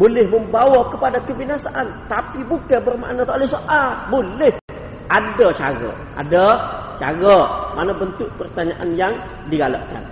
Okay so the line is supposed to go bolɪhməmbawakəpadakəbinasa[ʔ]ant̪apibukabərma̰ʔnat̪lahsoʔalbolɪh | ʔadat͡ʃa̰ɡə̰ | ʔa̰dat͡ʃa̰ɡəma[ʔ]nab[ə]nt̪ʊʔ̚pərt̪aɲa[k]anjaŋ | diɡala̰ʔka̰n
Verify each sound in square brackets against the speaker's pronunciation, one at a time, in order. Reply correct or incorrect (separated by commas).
correct, incorrect, correct, incorrect